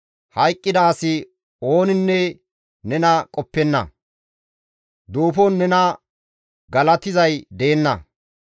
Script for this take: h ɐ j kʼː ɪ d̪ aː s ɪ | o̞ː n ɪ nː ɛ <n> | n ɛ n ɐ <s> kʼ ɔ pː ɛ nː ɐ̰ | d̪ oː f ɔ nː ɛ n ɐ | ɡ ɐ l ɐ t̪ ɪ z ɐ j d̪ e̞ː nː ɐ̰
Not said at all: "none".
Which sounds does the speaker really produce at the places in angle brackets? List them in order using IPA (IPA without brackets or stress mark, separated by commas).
none, none